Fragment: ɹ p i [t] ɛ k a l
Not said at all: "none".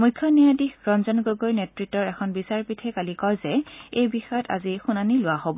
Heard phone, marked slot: tʰ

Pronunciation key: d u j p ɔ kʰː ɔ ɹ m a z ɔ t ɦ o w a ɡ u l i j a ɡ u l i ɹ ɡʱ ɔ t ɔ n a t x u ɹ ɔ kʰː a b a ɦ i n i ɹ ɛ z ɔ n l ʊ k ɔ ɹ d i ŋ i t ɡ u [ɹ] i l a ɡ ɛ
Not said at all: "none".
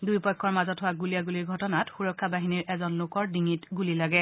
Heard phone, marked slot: l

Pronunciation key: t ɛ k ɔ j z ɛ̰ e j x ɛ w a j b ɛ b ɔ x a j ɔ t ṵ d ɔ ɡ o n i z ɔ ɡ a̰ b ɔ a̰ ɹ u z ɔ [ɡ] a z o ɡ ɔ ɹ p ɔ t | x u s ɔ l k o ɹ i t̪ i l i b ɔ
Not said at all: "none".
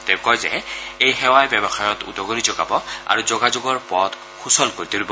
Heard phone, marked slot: ɡ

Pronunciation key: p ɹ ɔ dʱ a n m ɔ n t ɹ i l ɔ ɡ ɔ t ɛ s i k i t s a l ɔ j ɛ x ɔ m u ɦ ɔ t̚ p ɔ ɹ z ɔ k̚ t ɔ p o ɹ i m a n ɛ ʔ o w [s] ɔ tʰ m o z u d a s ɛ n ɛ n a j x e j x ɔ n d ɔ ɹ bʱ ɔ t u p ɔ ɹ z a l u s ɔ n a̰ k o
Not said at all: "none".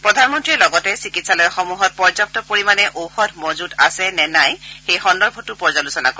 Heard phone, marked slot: x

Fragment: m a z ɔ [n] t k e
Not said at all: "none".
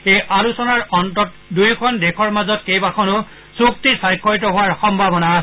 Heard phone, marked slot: none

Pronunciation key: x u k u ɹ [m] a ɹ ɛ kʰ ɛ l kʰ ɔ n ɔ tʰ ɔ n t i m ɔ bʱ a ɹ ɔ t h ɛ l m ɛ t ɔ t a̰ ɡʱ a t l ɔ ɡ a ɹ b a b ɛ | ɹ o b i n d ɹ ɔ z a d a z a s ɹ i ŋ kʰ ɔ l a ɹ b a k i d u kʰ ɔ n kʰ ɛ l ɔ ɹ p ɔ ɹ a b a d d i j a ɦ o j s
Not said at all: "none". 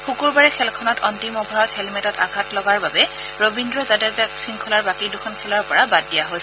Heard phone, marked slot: b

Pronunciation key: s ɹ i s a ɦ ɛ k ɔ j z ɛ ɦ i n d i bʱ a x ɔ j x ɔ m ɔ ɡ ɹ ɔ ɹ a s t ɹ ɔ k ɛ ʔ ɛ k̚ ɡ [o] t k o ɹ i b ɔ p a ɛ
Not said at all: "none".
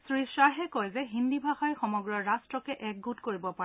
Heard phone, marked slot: u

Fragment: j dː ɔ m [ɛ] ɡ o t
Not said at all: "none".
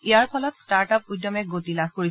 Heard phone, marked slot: ɛ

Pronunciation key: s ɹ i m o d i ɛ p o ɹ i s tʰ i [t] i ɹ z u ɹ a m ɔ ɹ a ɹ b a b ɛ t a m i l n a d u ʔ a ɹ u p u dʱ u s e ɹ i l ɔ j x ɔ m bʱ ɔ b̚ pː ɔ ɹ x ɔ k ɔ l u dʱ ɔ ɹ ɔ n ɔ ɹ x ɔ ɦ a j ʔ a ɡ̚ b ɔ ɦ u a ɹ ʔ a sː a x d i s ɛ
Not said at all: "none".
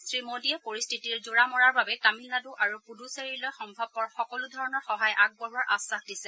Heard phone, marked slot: t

